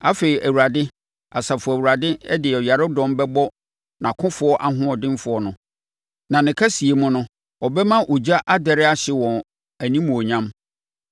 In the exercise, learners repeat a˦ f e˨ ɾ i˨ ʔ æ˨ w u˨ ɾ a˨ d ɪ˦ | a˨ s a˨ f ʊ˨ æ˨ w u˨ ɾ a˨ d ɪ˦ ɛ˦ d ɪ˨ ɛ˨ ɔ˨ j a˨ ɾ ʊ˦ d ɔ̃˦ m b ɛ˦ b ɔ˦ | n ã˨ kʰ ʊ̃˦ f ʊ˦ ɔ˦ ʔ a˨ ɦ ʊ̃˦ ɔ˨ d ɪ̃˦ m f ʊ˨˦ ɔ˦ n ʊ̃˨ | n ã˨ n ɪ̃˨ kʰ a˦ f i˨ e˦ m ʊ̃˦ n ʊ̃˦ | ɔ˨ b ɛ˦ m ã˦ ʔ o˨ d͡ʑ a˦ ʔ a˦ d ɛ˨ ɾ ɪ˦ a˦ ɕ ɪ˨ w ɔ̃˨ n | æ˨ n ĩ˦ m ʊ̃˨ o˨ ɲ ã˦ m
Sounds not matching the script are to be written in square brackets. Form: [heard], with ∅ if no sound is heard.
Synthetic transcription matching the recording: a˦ f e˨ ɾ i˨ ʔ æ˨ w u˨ ɾ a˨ d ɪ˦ | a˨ s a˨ f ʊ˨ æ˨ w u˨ ɾ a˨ d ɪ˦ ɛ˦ d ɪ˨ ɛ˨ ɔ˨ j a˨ ɾ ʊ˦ d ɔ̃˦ m b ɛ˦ b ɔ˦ | n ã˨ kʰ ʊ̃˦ f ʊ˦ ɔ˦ ʔ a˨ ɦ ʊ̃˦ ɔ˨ d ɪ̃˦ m f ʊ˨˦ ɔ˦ n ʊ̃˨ | n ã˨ n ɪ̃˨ kʰ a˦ [s] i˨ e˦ m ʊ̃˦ n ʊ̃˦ | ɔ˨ b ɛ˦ m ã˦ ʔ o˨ d͡ʑ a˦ ʔ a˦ d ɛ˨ ɾ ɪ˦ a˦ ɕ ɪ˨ w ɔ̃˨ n | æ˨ n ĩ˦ m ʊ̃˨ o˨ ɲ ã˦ m